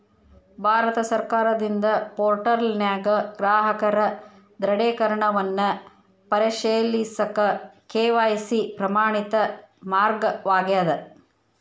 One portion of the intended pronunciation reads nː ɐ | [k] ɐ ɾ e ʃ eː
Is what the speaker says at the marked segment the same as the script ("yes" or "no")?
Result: no